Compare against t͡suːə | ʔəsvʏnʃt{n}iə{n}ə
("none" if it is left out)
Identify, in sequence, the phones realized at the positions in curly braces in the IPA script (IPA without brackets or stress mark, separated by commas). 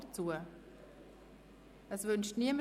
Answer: n, m